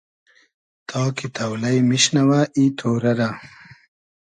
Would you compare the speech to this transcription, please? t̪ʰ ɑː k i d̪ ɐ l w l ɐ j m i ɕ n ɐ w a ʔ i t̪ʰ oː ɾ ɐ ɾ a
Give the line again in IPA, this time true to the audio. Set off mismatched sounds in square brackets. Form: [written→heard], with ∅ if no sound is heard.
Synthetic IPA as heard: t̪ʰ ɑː k i [d̪→t̪] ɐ [l→∅] w l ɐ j m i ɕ n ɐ w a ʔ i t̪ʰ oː ɾ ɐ ɾ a